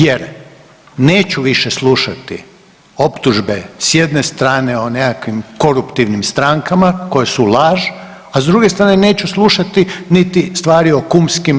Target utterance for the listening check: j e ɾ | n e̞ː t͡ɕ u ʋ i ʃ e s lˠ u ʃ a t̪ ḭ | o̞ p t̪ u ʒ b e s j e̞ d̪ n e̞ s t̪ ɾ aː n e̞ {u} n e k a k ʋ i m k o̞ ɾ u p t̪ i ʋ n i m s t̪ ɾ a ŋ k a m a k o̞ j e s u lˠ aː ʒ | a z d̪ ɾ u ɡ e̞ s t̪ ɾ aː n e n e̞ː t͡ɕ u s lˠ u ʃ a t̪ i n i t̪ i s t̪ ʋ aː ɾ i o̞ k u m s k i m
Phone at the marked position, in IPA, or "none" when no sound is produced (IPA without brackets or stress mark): o